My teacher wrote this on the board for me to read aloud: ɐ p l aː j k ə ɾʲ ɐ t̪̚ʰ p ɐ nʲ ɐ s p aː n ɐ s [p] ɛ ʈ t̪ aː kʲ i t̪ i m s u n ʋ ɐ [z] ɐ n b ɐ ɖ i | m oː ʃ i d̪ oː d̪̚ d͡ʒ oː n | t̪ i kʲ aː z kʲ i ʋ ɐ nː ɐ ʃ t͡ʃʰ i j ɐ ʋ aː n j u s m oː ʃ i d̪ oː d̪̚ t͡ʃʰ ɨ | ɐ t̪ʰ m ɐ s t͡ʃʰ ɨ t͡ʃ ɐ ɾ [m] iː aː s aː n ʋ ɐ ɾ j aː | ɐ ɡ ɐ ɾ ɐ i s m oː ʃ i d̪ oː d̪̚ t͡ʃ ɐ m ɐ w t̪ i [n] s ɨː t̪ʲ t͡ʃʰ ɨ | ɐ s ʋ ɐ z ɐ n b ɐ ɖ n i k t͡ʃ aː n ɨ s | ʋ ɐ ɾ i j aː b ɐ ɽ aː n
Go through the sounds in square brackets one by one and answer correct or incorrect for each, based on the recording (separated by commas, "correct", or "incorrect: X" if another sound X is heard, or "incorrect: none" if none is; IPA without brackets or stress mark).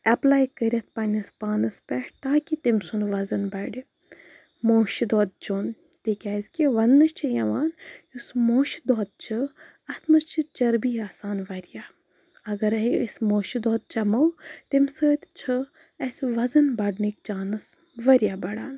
correct, correct, incorrect: b, incorrect: m